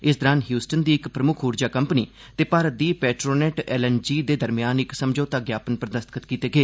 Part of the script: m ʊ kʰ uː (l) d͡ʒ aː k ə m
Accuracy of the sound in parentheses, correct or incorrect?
incorrect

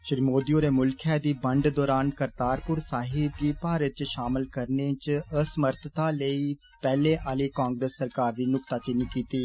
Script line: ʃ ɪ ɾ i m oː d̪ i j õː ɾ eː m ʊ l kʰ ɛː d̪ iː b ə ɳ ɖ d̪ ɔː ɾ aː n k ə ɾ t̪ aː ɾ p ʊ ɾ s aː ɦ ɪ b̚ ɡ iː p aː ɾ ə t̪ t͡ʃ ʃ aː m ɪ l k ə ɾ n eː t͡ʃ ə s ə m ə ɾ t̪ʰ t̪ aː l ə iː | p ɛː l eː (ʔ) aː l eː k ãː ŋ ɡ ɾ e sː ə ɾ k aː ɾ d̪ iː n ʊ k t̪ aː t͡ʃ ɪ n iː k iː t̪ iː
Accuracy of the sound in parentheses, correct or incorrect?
correct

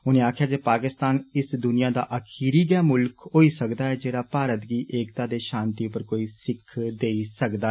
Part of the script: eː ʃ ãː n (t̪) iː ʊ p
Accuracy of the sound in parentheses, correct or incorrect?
correct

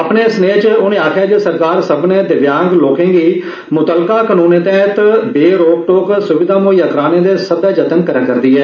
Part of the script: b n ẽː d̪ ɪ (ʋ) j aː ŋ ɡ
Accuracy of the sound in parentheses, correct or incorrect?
correct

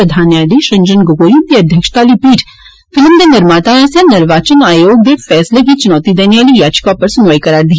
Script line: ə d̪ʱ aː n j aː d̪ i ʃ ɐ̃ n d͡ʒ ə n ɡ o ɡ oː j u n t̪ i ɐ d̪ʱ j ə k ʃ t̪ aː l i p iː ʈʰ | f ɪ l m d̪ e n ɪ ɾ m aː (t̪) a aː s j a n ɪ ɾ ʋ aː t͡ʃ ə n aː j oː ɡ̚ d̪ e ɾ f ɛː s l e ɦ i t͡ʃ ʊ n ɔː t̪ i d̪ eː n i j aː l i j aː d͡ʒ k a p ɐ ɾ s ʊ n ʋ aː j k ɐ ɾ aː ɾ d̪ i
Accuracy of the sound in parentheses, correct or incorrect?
correct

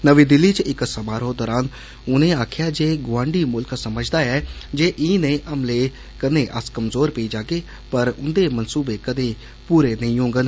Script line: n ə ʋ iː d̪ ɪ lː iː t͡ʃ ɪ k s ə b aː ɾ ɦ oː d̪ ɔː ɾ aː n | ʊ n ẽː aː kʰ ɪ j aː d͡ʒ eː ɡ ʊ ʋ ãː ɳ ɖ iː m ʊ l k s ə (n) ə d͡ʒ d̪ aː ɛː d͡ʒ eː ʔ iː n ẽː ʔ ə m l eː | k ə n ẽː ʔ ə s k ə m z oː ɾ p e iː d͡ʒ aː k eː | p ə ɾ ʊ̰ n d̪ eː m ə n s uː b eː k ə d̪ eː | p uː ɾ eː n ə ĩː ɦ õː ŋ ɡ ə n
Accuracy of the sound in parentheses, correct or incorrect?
incorrect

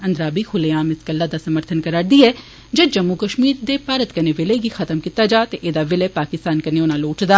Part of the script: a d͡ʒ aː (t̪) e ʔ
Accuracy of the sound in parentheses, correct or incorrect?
correct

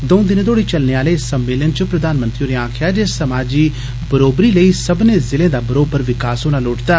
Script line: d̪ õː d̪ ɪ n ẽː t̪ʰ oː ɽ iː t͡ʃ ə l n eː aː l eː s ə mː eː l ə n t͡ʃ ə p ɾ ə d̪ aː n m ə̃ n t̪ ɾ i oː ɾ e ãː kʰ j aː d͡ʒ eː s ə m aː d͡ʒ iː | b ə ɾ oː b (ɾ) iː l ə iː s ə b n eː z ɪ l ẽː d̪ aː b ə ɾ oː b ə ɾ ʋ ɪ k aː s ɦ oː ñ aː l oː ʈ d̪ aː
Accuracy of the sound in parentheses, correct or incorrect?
correct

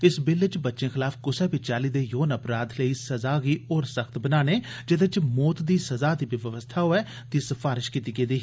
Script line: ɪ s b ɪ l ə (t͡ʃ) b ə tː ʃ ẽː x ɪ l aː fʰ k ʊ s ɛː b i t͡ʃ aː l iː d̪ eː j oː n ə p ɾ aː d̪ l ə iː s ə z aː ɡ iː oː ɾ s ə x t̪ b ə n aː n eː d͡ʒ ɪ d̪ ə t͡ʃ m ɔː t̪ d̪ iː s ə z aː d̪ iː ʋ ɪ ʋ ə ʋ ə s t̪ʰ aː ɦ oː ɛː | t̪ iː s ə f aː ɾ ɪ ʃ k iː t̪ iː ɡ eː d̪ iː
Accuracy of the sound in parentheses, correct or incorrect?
correct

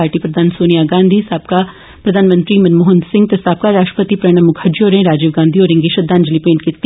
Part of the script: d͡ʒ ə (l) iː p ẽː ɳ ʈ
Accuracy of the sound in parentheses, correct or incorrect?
correct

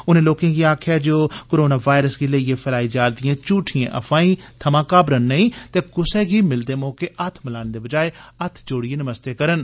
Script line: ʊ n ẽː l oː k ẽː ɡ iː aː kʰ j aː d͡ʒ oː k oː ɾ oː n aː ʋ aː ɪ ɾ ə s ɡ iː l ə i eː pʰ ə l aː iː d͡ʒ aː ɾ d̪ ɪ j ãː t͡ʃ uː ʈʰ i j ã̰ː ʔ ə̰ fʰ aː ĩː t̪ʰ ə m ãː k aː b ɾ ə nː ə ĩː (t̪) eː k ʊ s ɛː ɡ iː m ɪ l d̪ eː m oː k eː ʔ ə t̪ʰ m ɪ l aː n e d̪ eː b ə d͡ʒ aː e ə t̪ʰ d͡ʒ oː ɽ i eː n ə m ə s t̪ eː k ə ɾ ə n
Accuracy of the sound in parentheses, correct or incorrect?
correct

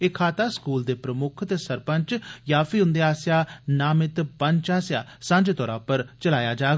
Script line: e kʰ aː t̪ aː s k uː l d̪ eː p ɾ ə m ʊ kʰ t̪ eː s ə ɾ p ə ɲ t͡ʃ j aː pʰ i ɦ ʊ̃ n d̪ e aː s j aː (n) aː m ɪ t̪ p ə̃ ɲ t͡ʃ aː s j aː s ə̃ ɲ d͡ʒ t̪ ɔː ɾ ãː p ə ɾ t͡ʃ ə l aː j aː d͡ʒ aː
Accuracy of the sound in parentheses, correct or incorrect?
correct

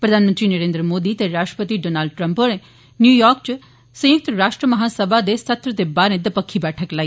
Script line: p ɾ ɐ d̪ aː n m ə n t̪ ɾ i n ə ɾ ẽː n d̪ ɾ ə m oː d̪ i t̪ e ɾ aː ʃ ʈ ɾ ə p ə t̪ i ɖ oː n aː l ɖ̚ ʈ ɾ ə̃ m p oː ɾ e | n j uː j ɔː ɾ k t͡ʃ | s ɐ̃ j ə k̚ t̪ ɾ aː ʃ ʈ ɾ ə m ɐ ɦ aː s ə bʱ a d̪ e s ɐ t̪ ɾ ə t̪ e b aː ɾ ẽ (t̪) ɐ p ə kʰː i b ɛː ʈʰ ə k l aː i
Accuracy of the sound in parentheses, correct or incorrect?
incorrect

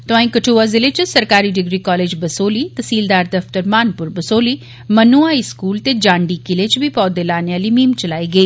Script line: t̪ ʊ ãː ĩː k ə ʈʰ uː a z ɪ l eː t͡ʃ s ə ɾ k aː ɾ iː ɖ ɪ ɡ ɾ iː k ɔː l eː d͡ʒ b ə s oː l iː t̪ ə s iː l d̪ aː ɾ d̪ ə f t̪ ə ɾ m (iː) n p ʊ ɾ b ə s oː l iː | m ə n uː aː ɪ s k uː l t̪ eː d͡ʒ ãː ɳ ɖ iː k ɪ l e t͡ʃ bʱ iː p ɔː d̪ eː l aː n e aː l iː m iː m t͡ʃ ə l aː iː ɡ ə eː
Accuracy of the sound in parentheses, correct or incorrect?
incorrect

